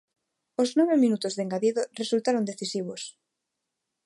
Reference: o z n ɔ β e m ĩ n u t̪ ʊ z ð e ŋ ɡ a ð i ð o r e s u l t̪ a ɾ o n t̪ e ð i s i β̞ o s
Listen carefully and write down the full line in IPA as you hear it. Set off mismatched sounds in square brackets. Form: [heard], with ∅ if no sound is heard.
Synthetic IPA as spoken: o z n ɔ β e m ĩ n u t̪ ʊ z ð e ŋ ɡ a ð i ð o r e s u l t̪ a ɾ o n [d̪] e [θ] i s i β̞ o s